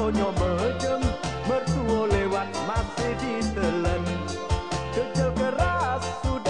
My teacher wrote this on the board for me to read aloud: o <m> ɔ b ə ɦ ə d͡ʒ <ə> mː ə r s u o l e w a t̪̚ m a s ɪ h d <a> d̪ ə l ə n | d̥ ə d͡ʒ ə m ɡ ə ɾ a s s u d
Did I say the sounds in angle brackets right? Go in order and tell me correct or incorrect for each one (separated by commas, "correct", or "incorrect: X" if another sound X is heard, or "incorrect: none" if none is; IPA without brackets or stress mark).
incorrect: ɲ, correct, incorrect: i